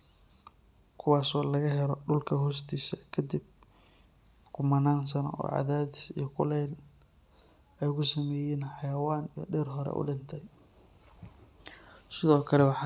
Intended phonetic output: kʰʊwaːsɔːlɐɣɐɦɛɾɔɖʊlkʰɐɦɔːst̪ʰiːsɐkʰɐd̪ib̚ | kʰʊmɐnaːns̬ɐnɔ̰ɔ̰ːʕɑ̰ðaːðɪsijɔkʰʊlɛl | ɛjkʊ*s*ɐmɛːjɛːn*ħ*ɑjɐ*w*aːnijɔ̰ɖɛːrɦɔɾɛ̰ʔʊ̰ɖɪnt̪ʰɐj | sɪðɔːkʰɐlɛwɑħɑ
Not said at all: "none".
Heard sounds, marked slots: s, ħ, w

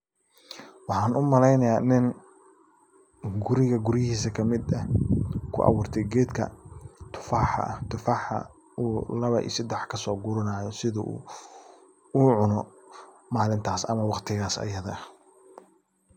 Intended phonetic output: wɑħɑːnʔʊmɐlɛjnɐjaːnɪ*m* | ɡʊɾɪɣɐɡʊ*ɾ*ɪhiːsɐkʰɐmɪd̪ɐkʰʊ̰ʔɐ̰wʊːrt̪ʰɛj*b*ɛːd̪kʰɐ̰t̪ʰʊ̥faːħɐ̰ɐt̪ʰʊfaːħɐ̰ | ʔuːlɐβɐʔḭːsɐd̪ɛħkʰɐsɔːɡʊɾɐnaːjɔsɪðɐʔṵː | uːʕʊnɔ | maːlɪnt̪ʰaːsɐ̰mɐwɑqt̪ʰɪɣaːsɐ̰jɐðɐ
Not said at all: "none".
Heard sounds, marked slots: n, ɾ, ɡ

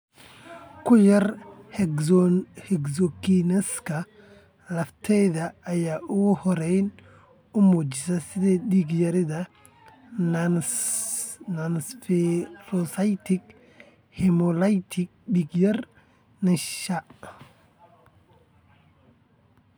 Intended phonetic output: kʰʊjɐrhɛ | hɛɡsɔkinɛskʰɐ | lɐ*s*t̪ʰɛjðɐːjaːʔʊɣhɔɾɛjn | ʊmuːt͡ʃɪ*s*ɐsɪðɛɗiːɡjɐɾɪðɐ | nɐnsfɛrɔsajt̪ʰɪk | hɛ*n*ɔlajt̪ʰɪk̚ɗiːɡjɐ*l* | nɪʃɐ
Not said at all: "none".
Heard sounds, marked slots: f, s, m, r

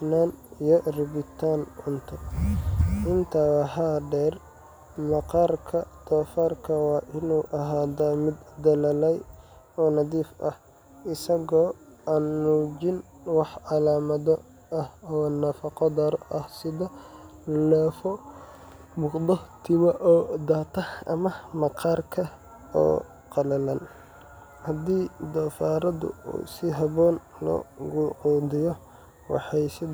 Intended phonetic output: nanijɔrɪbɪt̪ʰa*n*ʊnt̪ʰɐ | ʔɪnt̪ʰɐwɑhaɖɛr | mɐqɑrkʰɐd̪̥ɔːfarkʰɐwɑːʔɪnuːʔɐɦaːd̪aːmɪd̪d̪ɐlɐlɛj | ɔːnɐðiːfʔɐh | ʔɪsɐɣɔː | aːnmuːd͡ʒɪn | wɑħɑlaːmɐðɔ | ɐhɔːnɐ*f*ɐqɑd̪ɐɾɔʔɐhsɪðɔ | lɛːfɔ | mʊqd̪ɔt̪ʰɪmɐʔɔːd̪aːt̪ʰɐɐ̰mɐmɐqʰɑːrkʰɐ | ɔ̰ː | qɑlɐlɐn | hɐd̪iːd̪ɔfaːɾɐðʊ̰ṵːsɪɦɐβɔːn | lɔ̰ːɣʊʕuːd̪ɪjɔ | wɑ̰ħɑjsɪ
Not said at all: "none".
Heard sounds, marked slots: n, f

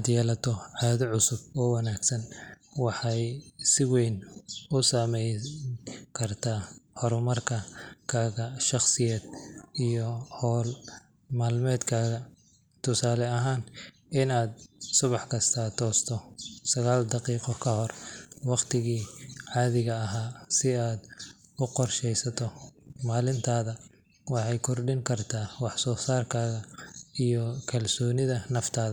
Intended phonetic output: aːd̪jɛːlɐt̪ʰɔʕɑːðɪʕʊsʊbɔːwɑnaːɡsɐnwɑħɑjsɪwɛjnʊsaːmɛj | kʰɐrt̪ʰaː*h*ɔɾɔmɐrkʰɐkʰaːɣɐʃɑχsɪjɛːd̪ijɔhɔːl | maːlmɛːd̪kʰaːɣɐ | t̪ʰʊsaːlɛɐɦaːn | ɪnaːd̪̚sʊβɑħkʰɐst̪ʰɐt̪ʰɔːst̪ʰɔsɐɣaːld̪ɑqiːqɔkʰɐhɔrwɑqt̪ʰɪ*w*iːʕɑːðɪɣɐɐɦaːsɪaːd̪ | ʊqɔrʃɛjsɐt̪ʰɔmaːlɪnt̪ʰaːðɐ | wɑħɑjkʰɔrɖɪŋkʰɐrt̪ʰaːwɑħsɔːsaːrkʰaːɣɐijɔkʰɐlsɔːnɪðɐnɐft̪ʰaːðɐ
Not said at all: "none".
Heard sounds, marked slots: h, ɣ

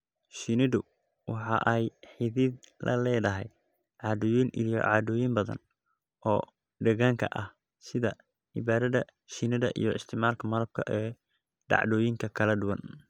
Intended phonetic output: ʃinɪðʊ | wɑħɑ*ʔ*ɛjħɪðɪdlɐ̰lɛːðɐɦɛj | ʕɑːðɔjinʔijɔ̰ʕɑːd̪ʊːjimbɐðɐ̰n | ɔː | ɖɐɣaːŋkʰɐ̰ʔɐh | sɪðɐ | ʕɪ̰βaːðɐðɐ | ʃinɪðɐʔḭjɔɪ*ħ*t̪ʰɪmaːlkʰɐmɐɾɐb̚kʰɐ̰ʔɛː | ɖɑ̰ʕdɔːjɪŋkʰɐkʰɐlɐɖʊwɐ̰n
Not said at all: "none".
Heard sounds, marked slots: ʔ, s

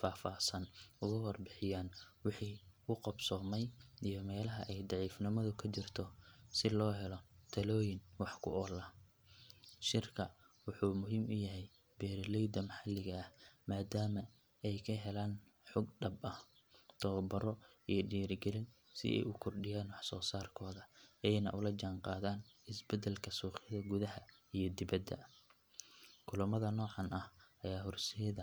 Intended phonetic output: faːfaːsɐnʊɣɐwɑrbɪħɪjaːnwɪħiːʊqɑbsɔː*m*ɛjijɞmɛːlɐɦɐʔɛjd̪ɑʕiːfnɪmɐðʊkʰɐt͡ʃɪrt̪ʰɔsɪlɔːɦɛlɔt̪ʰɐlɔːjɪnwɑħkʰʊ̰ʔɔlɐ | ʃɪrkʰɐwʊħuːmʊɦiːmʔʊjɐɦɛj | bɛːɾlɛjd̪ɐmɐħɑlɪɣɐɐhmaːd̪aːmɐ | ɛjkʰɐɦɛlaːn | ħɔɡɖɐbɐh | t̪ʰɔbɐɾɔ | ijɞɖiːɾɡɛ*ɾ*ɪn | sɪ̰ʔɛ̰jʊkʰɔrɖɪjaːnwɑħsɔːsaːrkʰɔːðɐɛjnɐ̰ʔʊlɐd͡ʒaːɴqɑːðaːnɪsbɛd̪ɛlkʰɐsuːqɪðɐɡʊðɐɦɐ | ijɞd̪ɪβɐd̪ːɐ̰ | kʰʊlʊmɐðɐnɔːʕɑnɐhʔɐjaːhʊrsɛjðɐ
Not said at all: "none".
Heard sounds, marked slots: m, l

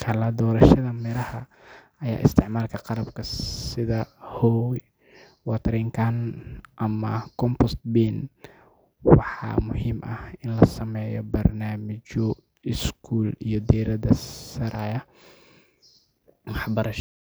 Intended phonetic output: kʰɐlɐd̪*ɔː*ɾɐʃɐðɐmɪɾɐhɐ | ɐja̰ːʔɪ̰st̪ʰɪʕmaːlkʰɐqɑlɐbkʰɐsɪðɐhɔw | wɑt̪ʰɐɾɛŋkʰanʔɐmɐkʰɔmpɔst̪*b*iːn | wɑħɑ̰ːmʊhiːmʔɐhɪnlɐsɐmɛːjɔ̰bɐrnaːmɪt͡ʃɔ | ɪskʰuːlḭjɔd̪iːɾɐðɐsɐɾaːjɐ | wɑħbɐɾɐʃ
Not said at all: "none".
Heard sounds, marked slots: ɔː, b

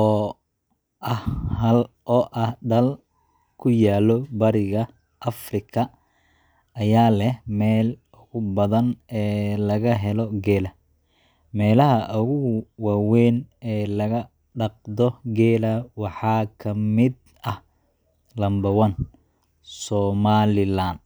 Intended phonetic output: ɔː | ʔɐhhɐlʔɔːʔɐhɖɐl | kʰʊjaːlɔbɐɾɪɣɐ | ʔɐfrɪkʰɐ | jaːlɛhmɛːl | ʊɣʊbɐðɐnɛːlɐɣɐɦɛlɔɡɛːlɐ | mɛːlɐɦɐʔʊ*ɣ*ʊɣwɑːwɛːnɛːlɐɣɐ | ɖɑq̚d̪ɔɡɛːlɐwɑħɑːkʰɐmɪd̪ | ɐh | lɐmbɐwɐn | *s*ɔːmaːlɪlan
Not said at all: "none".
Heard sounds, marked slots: ɣ, s

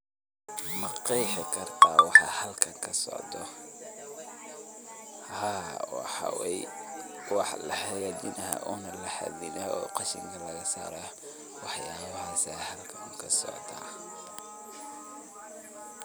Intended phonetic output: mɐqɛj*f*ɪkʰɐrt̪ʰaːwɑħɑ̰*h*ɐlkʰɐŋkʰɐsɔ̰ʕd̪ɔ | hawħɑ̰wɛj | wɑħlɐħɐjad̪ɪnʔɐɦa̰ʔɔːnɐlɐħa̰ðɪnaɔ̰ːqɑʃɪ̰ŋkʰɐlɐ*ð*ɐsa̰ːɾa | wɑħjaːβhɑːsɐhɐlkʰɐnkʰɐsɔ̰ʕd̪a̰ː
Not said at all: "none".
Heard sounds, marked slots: ħ, h, ɣ

